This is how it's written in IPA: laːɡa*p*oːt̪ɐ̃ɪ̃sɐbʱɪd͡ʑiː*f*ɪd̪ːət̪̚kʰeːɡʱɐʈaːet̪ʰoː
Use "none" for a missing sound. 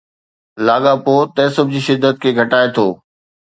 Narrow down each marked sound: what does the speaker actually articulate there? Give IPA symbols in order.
p, ʃ

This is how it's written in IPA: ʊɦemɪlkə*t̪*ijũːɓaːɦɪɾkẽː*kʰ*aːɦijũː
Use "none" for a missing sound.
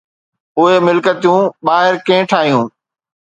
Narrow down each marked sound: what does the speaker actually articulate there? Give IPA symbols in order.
t̪, ʈʰ

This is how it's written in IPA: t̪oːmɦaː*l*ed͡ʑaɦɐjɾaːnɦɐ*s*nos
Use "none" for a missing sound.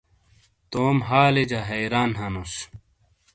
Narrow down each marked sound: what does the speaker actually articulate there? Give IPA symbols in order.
l, none

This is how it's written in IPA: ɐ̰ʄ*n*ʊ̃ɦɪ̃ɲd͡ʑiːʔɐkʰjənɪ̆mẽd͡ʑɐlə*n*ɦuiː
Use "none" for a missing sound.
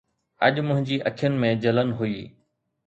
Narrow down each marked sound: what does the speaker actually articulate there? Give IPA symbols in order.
m, n

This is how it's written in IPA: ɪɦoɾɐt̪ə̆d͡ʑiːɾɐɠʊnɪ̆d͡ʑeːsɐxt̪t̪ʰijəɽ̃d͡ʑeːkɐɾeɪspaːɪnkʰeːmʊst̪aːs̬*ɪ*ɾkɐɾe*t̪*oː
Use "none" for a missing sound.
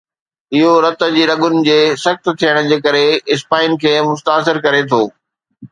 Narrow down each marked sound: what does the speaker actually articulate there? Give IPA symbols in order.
ɪ, t̪ʰ

